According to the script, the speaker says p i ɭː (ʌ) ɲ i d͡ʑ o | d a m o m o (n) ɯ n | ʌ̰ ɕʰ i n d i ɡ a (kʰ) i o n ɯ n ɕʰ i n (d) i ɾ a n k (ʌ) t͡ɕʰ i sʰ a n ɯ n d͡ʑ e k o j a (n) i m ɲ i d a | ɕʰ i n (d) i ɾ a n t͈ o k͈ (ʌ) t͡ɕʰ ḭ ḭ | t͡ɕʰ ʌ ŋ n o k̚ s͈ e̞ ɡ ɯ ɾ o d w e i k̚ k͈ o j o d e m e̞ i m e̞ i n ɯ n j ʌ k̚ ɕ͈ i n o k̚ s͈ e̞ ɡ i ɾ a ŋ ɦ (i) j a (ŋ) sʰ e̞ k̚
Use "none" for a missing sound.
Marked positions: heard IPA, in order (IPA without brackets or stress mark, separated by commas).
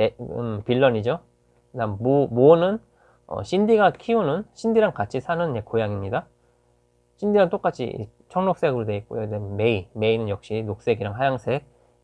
ʌ, n, kʰ, d, a, ŋ, d, a, a, ŋ